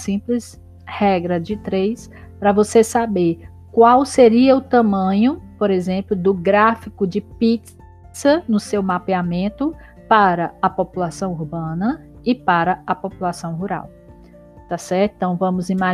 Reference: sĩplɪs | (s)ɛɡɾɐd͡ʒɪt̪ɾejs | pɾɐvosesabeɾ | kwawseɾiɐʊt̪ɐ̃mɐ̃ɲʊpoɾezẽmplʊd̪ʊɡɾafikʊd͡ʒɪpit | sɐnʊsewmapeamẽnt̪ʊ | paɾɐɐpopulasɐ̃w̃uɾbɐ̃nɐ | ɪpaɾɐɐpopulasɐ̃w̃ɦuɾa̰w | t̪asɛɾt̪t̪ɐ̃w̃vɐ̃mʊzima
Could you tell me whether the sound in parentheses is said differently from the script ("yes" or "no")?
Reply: yes